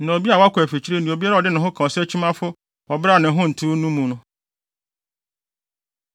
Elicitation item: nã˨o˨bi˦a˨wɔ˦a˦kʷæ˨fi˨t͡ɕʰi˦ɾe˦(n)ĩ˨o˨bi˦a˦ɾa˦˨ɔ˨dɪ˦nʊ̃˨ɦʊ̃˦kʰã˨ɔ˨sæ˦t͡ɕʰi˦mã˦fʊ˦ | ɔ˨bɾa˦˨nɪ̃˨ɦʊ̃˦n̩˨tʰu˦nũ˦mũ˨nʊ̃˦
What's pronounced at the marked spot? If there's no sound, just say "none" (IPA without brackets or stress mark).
n